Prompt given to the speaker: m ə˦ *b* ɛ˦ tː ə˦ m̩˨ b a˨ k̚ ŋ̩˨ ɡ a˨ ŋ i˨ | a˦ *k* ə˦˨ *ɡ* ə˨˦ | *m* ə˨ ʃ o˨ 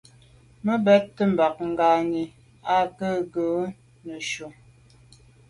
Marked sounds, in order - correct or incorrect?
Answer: correct, correct, correct, incorrect: n

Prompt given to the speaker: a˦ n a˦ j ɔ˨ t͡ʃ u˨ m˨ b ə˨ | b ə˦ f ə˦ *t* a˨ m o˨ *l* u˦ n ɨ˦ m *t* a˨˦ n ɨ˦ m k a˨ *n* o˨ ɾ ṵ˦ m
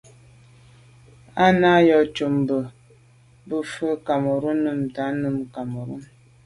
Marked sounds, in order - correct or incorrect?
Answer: incorrect: k, incorrect: ɾ, correct, incorrect: m

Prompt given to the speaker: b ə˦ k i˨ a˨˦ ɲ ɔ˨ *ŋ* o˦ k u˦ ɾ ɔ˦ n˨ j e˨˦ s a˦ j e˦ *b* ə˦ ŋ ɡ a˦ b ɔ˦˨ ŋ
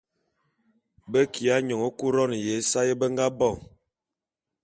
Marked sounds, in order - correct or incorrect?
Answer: correct, correct

